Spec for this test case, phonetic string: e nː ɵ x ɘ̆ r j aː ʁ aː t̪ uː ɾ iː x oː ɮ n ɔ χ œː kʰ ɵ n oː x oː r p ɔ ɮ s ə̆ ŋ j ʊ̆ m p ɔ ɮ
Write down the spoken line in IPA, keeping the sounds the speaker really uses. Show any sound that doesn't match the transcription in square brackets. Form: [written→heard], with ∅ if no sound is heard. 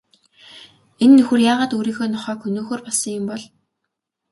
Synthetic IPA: e nː ɵ x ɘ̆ r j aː ʁ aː t̪ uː ɾ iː x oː [ɮ→∅] n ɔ χ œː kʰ ɵ n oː x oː r p ɔ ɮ s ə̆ ŋ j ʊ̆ m p ɔ ɮ